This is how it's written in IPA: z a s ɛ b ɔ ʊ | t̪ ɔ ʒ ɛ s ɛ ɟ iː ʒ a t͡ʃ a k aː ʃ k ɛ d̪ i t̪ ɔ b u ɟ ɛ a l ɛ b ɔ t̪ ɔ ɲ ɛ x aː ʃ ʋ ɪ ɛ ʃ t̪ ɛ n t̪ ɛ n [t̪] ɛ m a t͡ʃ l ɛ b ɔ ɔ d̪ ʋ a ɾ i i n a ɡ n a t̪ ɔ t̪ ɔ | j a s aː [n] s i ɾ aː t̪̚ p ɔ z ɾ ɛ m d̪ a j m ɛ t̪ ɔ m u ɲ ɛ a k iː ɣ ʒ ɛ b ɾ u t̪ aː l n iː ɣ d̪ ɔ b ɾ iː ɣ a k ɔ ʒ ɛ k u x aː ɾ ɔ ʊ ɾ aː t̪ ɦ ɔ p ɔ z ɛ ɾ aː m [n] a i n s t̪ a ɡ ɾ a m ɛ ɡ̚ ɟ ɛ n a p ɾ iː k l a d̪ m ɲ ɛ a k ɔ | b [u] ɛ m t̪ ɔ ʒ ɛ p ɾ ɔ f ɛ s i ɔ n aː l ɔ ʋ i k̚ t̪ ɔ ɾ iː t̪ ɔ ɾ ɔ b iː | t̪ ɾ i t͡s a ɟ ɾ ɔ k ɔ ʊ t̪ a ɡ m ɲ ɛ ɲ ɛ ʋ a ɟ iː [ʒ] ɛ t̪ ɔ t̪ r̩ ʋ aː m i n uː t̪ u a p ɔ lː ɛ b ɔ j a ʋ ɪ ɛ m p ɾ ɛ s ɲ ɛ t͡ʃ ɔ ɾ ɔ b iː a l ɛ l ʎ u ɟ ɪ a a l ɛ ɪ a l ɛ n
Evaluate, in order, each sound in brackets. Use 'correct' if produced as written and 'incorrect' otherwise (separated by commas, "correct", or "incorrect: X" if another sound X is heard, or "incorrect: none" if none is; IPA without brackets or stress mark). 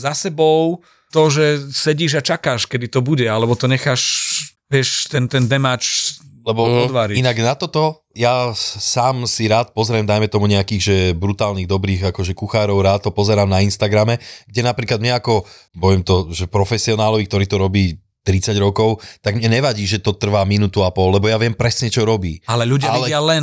incorrect: d̪, incorrect: m, correct, incorrect: ɔ, correct